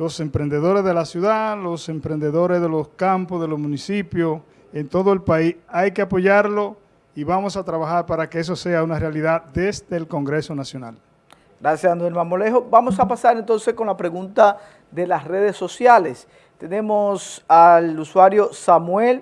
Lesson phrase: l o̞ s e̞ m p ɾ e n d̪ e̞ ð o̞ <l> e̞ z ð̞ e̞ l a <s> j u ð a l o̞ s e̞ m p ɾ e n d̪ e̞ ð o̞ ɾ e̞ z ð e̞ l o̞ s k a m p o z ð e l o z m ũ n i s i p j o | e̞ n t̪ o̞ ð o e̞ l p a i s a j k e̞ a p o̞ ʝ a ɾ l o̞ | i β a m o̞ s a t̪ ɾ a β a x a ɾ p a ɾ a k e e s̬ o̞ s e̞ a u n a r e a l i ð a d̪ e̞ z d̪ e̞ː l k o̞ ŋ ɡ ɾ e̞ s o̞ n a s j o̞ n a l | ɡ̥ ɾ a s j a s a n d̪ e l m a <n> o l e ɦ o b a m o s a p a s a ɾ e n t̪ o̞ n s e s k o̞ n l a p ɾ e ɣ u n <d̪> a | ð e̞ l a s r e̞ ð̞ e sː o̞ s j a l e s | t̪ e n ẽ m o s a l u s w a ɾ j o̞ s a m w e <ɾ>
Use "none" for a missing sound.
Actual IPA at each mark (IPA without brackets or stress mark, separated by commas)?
ɾ, s, m, t̪, l